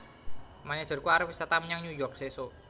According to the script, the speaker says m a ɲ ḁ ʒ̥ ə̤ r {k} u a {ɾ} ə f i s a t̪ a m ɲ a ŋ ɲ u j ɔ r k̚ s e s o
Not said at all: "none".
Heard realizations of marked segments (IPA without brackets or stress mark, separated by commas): k, ɾ